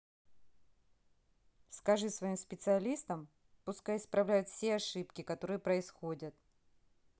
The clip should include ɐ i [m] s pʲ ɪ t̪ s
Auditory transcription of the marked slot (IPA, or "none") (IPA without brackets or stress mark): m